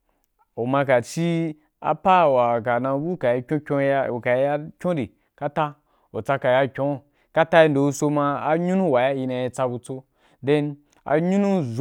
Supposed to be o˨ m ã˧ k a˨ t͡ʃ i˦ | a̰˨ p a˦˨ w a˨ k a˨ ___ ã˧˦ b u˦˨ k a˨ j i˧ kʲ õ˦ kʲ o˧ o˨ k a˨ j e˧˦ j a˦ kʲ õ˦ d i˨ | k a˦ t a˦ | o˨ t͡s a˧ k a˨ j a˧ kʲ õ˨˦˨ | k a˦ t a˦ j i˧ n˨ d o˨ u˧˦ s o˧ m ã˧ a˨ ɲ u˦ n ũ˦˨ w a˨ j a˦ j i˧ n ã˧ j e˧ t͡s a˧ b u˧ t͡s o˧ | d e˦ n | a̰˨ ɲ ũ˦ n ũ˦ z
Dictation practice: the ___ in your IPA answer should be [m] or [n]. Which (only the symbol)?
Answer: n